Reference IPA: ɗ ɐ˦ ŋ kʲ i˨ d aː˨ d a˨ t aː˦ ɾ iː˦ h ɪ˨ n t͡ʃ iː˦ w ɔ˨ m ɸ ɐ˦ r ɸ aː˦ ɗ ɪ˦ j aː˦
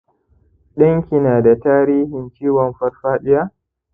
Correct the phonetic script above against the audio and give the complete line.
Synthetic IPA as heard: ɗ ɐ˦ ŋ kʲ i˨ n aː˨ d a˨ t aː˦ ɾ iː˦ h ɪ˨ n t͡ʃ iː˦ w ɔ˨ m ɸ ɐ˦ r ɸ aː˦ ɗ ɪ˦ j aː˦